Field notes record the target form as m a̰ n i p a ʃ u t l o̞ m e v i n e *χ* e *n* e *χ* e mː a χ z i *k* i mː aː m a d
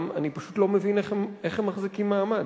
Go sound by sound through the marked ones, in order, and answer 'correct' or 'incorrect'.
correct, incorrect: m, correct, correct

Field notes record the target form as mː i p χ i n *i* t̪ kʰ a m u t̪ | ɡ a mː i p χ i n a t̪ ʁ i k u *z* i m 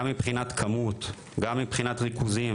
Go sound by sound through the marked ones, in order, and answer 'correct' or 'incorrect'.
incorrect: a, correct

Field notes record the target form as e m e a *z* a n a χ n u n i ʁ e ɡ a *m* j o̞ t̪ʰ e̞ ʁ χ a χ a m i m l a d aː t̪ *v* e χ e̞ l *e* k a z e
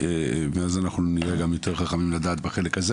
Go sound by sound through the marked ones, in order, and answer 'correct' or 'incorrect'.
correct, correct, incorrect: b, correct

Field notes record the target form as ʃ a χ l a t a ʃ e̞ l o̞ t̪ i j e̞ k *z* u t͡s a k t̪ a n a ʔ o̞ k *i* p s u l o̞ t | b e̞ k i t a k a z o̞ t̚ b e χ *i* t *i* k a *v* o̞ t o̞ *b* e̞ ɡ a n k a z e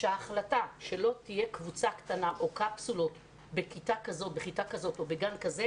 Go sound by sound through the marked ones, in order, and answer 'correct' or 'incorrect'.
incorrect: v, incorrect: a, correct, incorrect: a, incorrect: z, correct

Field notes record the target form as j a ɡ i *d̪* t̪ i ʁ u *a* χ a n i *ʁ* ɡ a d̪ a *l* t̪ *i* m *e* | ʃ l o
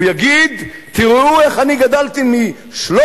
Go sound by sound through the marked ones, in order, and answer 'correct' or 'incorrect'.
correct, incorrect: e, incorrect: none, correct, correct, incorrect: i

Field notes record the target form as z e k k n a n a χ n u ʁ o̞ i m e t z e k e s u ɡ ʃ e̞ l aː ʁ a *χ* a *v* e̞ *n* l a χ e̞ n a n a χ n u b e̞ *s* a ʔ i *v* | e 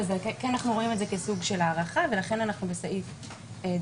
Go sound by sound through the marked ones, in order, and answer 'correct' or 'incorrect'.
correct, correct, incorrect: none, correct, incorrect: f

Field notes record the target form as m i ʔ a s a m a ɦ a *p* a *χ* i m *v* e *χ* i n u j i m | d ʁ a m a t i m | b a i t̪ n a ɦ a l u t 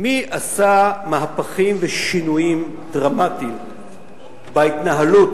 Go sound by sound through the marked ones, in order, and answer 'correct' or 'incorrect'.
correct, correct, correct, incorrect: ʃ

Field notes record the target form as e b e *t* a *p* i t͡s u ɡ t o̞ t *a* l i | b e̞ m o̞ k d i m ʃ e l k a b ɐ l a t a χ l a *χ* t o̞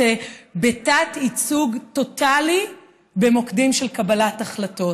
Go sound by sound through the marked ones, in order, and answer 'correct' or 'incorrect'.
correct, incorrect: t, correct, incorrect: none

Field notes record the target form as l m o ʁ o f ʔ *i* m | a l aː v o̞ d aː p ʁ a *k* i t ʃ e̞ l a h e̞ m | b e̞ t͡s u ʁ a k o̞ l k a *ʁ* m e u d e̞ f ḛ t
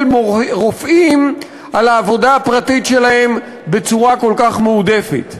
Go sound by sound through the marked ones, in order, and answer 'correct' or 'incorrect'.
correct, incorrect: t, incorrect: χ

